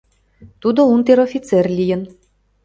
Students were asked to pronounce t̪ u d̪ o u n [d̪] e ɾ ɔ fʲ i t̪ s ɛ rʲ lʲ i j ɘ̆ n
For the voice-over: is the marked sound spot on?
no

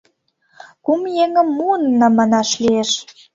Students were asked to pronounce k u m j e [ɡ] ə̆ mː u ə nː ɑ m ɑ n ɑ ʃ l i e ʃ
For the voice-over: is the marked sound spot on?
no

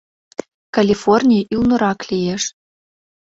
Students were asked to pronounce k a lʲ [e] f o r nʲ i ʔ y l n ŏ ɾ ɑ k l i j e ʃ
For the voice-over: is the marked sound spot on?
no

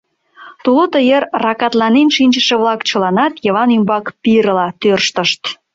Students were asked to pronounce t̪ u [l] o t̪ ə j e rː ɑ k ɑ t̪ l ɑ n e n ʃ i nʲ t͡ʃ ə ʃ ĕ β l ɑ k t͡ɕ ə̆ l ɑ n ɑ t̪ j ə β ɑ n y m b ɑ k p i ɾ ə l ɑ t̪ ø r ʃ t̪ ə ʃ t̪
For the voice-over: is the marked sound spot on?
yes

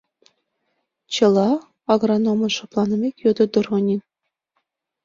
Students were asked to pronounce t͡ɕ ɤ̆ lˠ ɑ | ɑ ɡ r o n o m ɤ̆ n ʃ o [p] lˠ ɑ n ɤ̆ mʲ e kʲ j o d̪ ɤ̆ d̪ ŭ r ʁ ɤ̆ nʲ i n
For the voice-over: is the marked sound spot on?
yes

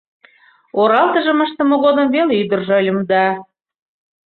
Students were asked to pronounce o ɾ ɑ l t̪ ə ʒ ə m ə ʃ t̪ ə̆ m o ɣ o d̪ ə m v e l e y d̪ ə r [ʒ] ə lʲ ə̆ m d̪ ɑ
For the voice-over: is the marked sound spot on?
yes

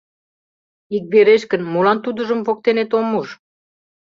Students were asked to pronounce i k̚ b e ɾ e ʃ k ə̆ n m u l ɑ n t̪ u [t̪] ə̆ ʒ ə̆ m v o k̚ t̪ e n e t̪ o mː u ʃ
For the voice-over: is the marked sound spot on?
no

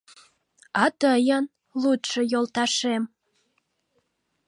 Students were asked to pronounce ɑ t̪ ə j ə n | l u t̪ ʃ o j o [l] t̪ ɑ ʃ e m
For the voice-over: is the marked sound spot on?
yes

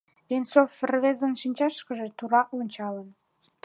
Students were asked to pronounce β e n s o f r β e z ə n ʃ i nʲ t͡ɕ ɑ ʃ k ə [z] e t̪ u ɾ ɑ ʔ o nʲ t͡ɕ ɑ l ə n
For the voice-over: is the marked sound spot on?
no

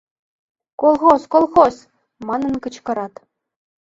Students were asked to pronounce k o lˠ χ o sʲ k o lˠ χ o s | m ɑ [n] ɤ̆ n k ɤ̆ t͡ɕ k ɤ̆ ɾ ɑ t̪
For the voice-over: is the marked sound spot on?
yes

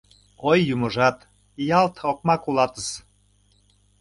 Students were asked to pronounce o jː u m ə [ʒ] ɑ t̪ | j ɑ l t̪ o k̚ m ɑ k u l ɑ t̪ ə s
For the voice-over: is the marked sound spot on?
yes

